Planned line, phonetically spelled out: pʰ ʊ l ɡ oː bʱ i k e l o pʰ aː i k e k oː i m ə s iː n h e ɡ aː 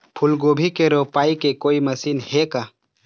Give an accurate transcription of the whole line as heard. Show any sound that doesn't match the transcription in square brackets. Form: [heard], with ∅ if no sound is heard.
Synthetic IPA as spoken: pʰ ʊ l ɡ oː bʱ i k e [ɾ] o [p] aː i k e k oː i m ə s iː n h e [k] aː

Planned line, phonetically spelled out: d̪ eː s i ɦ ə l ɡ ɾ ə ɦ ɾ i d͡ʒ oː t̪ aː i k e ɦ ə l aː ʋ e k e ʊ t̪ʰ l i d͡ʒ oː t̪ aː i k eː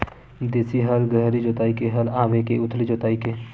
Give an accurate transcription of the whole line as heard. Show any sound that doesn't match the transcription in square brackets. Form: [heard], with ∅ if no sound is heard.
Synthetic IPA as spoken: d̪ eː s i ɦ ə l ɡ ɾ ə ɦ ɾ i d͡ʒ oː t̪ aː i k e ɦ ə l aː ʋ e k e ʊ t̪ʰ l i d͡ʒ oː t̪ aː i k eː

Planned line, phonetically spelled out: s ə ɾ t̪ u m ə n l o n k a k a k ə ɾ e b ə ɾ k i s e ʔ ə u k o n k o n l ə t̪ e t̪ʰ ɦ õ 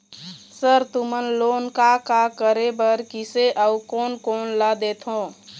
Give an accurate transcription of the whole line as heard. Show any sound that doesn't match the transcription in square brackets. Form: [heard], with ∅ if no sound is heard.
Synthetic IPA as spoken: s ə ɾ t̪ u m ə n l o n k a k a k ə ɾ e b ə ɾ k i s e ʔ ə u k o n k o n l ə [d̪] e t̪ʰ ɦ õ

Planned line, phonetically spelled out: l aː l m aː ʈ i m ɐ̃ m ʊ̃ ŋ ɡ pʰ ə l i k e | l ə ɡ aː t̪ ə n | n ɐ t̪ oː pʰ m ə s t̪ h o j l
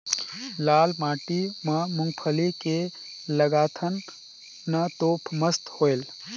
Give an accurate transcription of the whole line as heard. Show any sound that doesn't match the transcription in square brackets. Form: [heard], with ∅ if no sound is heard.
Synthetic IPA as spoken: l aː l m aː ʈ i m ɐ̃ m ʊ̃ ŋ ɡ pʰ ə l i k e | l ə ɡ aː [t̪ʰ] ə n | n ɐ t̪ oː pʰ m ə s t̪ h o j l

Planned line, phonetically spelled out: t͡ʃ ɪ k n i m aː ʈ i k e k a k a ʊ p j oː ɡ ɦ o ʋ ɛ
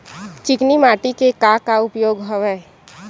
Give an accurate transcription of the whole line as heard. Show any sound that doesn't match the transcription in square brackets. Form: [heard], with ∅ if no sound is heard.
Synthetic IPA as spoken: t͡ʃ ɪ k n i m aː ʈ i k e k a k a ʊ p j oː ɡ ɦ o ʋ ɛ

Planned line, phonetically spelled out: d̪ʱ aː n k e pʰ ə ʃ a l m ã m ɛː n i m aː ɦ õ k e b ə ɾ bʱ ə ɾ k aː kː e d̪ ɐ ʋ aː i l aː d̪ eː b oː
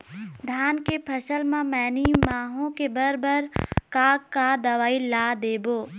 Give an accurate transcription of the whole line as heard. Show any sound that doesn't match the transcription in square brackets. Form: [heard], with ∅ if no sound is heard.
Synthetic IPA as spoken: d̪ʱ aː n k e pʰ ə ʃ [ə] l m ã m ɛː n i m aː ɦ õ k e b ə ɾ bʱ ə ɾ k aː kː [a] d̪ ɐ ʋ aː i l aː d̪ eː b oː

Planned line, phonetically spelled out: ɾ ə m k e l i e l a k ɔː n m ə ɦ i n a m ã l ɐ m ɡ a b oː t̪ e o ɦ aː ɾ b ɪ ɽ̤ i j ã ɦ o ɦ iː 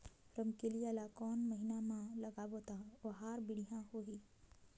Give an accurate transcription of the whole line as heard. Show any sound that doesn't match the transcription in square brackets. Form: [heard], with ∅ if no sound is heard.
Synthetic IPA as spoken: ɾ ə m k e l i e l a k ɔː n m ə ɦ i n a m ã l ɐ [∅] ɡ a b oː t̪ [a] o ɦ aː ɾ b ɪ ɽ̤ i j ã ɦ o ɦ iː

